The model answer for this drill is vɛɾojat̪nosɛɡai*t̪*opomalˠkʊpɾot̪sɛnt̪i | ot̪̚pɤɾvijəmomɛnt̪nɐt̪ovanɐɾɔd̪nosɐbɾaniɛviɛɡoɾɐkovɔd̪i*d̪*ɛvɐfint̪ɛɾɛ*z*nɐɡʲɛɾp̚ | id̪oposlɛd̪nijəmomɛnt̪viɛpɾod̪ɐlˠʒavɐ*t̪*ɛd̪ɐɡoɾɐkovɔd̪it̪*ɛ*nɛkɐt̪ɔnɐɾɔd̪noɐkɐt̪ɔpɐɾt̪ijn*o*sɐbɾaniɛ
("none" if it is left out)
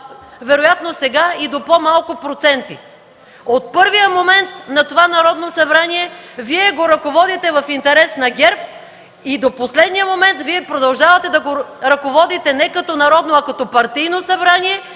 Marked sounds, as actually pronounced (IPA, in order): d̪, t̪, s, t̪, ɛ, o

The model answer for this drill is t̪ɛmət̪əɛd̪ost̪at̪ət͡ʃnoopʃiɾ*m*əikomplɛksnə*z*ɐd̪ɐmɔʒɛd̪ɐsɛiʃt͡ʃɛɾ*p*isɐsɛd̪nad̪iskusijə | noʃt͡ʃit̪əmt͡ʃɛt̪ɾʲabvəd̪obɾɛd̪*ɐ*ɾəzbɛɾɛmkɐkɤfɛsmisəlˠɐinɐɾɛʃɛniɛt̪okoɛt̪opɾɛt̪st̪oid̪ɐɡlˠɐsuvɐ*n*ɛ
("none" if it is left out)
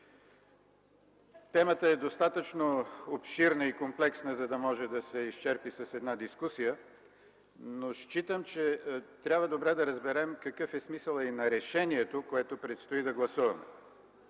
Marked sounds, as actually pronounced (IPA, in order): n, z, p, ɐ, m

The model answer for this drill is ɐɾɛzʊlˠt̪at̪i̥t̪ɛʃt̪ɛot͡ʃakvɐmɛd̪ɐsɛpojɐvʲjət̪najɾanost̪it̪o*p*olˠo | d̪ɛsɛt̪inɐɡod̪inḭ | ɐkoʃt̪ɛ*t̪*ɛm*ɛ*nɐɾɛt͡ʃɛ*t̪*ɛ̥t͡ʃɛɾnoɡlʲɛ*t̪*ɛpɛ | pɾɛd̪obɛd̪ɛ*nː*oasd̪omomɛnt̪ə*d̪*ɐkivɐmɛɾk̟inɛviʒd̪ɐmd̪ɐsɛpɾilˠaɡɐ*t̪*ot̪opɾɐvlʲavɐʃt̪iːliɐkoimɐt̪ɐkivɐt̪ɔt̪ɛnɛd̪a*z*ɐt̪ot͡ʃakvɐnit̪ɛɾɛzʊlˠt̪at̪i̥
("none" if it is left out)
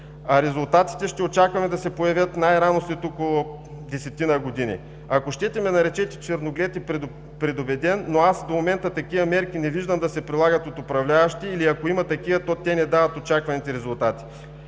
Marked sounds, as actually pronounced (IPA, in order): k, t̪, ɛ, t̪, t̪, nː, t̪, t̪, v

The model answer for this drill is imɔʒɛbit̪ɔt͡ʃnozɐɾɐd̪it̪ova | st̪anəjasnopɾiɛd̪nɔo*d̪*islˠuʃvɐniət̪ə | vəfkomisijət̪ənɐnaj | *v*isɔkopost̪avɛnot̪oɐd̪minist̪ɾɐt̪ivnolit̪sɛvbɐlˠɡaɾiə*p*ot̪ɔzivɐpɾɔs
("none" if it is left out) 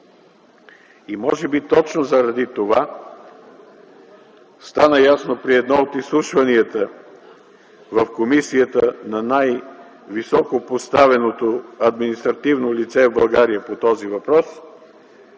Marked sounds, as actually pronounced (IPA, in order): t̪, v, p

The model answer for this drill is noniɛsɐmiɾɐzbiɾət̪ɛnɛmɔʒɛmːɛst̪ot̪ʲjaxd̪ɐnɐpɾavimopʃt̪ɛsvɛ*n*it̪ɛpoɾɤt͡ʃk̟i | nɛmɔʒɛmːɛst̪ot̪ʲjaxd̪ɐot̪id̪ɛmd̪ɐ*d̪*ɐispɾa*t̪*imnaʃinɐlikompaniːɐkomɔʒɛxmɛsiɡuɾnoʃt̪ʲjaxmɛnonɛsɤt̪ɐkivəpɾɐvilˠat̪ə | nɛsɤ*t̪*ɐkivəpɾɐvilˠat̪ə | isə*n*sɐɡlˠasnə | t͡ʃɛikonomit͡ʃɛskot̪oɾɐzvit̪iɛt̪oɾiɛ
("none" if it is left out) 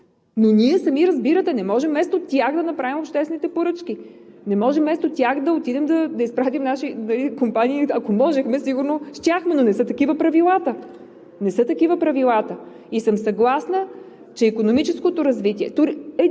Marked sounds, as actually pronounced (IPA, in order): n, d̪, t̪, t̪, m

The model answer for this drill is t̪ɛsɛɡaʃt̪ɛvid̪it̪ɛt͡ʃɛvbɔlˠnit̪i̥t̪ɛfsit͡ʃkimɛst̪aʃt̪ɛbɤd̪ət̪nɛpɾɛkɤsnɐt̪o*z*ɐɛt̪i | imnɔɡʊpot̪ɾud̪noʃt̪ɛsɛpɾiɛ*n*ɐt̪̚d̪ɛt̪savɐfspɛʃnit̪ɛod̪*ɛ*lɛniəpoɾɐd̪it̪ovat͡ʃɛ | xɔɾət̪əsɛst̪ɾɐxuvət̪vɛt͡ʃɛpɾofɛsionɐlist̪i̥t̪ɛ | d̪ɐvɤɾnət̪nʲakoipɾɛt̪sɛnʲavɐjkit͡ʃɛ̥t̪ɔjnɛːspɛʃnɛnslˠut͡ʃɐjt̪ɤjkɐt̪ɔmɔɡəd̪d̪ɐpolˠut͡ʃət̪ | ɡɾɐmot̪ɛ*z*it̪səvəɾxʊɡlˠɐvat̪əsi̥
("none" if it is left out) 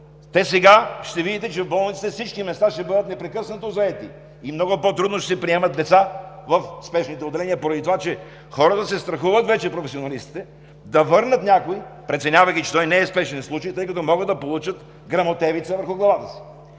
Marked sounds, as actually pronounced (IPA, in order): z, m, ɛ, v

